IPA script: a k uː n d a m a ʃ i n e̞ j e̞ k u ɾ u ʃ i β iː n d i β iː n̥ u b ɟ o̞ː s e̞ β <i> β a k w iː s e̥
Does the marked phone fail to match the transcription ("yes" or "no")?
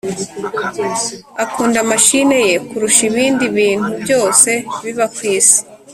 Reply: no